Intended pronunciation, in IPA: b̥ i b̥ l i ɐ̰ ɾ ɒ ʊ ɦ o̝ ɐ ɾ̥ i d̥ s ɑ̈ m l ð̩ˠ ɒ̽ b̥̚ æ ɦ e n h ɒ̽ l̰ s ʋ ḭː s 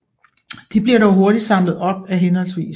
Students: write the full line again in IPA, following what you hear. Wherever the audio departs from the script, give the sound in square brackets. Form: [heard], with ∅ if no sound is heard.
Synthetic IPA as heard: [d̥] i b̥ l i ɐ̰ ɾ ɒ ʊ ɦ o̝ ɐ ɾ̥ i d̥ s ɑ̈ m l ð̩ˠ ɒ̽ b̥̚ æ ɦ e n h ɒ̽ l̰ s ʋ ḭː s